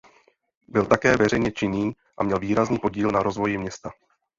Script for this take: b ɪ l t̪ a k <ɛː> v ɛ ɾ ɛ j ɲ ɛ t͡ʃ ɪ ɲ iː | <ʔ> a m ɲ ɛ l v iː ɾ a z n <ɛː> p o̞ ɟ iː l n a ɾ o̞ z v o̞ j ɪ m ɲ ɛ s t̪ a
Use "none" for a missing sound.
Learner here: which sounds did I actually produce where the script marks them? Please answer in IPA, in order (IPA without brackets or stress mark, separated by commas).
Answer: ɛː, ʔ, iː